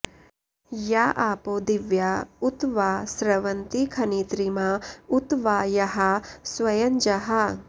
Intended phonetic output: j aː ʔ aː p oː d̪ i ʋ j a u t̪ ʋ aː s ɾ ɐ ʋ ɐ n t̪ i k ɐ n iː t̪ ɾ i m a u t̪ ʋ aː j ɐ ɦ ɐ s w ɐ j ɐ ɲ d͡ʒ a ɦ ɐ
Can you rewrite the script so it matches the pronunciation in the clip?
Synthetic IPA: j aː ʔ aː p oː d̪ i ʋ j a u t̪ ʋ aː s ɾ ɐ ʋ ɐ n t̪ i kʰ ɐ n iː t̪ ɾ i m a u t̪ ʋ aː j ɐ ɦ ɐ s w ɐ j ɐ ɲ d͡ʒ ɐ ɦ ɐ